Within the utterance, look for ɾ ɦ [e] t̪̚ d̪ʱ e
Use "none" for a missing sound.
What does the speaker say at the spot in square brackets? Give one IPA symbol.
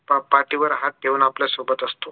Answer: a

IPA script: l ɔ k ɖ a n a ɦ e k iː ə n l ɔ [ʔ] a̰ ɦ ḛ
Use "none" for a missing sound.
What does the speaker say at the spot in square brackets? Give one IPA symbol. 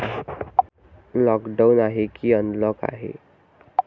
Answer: k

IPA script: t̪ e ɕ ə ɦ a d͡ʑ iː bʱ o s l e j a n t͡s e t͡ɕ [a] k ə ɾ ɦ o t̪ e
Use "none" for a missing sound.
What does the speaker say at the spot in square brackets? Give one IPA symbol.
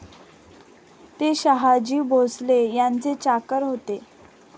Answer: a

